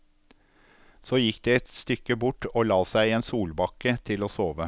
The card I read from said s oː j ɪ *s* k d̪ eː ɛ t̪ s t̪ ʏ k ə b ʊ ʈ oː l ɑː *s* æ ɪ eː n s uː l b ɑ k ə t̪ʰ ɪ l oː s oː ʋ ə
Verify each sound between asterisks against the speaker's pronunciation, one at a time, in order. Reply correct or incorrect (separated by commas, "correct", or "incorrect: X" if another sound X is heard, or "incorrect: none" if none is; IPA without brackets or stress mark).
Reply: incorrect: none, correct